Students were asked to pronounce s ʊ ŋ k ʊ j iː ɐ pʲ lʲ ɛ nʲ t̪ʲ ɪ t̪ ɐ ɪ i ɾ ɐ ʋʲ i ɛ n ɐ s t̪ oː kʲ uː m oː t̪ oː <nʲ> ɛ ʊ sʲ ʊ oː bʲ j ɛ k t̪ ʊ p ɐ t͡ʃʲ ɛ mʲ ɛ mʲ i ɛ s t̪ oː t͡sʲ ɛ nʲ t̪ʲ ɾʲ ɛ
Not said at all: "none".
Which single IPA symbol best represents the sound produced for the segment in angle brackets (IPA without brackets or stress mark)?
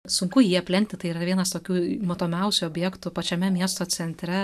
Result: mʲ